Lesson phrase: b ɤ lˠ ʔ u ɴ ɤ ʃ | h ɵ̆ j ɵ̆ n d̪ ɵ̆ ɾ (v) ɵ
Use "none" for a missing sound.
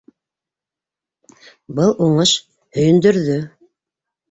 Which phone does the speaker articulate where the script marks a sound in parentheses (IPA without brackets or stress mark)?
ð